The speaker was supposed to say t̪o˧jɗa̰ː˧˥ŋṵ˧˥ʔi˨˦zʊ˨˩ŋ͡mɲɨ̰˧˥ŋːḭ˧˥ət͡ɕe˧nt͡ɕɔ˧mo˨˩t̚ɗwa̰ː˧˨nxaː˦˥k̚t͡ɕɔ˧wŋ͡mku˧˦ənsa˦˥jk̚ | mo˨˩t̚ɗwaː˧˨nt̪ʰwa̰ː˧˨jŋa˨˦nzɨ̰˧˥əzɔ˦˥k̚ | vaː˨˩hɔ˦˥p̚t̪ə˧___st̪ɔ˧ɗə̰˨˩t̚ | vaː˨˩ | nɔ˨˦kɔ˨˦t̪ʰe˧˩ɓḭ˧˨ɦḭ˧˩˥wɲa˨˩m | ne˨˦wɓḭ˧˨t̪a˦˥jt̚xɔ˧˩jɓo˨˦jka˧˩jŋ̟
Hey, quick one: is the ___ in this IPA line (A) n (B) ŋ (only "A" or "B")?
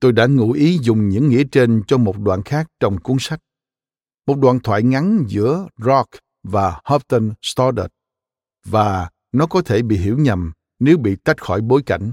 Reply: A